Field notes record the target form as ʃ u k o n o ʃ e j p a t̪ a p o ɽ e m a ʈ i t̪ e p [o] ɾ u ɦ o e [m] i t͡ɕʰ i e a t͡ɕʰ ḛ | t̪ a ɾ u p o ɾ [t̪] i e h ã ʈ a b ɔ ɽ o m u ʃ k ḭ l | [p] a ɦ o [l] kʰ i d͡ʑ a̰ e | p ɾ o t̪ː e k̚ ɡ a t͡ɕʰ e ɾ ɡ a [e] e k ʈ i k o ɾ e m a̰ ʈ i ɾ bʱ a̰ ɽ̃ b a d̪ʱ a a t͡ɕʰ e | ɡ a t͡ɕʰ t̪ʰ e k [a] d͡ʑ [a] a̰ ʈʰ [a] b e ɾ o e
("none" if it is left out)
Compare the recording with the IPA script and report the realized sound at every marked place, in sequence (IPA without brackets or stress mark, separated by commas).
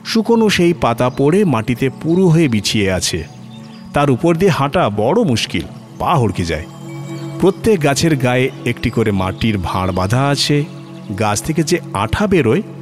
u, b, d̪, p, ɽ, e, e, e, a